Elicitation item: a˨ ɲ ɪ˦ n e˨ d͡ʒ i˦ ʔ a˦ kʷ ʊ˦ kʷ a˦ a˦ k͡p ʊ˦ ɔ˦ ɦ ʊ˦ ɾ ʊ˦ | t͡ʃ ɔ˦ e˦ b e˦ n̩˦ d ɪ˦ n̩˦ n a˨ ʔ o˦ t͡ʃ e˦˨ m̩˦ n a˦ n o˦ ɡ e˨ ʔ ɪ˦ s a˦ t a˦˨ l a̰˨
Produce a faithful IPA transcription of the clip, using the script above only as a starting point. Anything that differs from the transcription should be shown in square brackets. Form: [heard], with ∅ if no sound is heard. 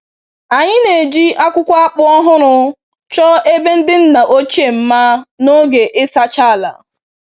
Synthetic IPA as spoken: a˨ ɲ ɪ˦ n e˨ d͡ʒ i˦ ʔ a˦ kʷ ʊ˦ kʷ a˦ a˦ k͡p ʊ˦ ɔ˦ ɦ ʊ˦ ɾ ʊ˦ | t͡ʃ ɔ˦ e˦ b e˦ n̩˦ d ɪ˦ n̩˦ n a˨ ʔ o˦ t͡ʃ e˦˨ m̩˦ [m] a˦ n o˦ ɡ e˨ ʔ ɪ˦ s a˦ [t͡ʃ] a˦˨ l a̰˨